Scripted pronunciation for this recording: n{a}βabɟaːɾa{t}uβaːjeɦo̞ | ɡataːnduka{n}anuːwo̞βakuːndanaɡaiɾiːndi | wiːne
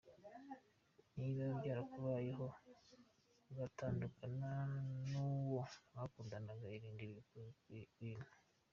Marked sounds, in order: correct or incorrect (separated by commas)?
incorrect, incorrect, correct